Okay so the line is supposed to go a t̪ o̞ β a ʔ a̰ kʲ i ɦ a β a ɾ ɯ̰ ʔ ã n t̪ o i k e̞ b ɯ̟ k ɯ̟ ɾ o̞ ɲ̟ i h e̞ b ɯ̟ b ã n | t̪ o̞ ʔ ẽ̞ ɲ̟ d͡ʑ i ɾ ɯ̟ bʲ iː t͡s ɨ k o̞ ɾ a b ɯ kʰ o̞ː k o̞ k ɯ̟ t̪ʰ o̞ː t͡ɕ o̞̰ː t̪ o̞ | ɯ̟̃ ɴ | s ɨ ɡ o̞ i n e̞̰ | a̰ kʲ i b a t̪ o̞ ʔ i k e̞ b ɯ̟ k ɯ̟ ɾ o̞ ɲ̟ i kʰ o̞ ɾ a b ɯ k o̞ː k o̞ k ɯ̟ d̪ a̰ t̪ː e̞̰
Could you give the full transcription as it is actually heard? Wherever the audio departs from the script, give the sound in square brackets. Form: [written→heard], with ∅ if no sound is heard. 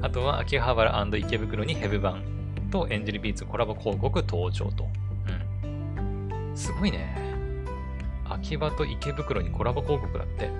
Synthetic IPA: a t̪ o̞ β a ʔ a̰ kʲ i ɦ a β a ɾ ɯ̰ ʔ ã n [t̪→d̪] o i k e̞ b ɯ̟ k ɯ̟ ɾ o̞ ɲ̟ i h e̞ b ɯ̟ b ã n | t̪ o̞ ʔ ẽ̞ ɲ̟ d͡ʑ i ɾ ɯ̟ bʲ iː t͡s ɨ k o̞ ɾ a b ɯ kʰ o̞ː k o̞ k ɯ̟ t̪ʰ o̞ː t͡ɕ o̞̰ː t̪ o̞ | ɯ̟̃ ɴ | s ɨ ɡ o̞ i n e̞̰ | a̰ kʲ i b a t̪ o̞ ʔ i k e̞ b ɯ̟ k ɯ̟ ɾ o̞ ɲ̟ i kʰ o̞ ɾ a b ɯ k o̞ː k o̞ k ɯ̟ d̪ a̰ t̪ː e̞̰